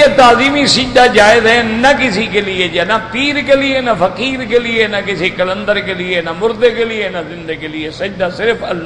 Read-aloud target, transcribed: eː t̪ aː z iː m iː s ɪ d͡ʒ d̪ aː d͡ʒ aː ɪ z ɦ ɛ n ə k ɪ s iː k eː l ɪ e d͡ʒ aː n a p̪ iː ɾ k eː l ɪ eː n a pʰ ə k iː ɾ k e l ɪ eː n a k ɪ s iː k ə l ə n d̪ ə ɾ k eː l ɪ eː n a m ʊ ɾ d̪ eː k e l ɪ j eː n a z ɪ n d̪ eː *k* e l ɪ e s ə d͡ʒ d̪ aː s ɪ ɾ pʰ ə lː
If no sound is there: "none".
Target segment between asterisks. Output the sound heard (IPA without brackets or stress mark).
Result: k